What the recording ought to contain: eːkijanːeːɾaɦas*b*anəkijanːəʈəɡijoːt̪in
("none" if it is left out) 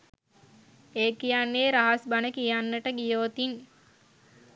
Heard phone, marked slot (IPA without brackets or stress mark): b